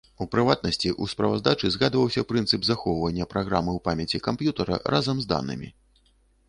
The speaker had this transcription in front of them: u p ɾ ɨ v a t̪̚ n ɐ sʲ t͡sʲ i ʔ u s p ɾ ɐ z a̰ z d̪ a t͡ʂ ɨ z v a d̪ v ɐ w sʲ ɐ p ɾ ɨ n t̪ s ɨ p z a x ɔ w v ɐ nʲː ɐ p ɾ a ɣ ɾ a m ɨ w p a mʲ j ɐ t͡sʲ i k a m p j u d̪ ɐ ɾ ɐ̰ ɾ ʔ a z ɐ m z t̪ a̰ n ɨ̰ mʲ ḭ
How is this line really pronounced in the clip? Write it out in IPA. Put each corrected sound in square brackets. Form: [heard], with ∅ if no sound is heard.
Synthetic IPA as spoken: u p ɾ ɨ v a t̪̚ n ɐ sʲ t͡sʲ i ʔ u s p ɾ ɐ [v] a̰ z d̪ a t͡ʂ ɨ z [ɣ] a d̪ v ɐ w sʲ ɐ p ɾ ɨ n t̪ s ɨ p z a x ɔ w v ɐ nʲː ɐ p ɾ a ɣ ɾ a m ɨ w p a mʲ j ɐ t͡sʲ i k a m p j u [t̪] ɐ ɾ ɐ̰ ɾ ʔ a z ɐ m z [d̪] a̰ n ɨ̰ mʲ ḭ